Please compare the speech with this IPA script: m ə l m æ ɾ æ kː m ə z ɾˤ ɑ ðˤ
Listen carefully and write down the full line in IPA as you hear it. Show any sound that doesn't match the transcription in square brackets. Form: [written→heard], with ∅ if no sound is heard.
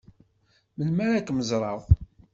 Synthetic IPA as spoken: m ə l m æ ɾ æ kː m ə z ɾˤ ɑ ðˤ

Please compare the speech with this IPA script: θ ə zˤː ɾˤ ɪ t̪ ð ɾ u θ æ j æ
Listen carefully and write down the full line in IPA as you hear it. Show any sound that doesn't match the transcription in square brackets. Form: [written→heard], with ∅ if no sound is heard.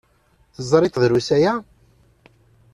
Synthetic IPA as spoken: θ ə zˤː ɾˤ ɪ t̪ ð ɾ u [θ→s] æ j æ

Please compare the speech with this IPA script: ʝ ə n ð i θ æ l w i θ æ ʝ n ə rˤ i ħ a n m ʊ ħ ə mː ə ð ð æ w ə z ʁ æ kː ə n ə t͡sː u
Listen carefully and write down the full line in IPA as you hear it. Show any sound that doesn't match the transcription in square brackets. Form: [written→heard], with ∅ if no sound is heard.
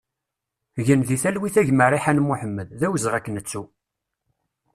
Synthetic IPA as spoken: ʝ ə n ð i θ æ l w i θ æ ʝ [n→m] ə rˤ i ħ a n m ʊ ħ ə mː ə ð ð æ w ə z ʁ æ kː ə n ə t͡sː u

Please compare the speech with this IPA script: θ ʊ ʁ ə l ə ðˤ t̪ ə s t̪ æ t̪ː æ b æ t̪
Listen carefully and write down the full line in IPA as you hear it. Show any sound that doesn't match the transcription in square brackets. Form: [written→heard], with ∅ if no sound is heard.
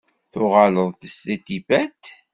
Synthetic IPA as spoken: θ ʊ ʁ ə l ə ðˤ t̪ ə s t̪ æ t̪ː [æ→i] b æ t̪

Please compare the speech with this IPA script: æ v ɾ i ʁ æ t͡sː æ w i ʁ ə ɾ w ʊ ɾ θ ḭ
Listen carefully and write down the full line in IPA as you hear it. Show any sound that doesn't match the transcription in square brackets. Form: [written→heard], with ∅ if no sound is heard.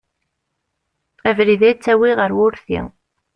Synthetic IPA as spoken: æ v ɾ i [ʁ→ð] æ t͡sː æ w i ʁ ə ɾ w ʊ ɾ θ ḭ

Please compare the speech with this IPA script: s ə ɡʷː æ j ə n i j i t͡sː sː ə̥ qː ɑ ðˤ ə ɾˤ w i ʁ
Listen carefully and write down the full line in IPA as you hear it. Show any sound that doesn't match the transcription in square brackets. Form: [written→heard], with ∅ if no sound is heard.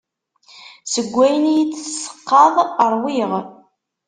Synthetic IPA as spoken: s ə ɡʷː æ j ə n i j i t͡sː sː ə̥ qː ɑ ðˤ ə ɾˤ w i ʁ

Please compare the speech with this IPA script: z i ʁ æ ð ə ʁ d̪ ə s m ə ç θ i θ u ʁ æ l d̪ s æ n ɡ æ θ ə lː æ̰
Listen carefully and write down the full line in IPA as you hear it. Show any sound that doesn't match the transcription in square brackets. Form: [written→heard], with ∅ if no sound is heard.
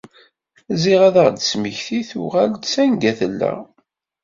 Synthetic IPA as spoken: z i ʁ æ ð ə ʁ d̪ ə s m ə ç θ i θ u ʁ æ l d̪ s æ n ɡ æ θ ə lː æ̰

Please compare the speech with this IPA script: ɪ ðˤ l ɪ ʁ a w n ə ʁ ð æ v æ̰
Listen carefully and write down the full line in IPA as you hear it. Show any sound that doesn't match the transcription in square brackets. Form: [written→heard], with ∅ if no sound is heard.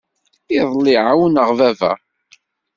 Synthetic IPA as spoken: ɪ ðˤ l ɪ [ʁ→ʕ] a w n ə ʁ [ð→v] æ v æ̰

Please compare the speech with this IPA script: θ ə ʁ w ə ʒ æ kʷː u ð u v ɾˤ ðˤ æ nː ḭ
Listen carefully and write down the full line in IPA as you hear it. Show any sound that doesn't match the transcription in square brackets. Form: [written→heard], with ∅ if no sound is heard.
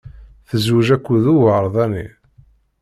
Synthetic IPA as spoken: θ ə [ʁ→z] w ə ʒ æ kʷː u ð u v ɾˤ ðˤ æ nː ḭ

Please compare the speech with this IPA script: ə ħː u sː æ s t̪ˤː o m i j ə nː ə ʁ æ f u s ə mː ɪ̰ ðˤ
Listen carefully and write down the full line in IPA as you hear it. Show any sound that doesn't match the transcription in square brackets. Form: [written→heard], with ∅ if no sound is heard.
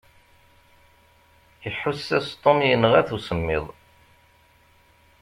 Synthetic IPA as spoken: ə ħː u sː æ s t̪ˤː o m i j ə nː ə ʁ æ [f→θ] u s ə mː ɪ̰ ðˤ

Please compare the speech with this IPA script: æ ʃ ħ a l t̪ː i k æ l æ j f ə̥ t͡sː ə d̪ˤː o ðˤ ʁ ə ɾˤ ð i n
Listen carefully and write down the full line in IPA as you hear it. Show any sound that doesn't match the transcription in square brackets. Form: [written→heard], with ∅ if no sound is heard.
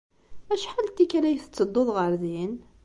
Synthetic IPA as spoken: æ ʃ ħ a l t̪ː i k æ l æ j [f→θ] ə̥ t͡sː ə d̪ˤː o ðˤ ʁ ə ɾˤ ð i n

